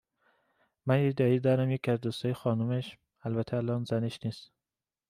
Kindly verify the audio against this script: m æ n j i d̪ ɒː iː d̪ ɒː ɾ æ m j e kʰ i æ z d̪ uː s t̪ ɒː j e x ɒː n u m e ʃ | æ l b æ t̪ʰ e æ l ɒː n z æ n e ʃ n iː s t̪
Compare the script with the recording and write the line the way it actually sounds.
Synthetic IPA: m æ n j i d̪ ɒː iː d̪ ɒː ɾ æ m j e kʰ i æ z d̪ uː s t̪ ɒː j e x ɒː n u m e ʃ | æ l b æ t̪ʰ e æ l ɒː n z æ n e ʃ n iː s t̪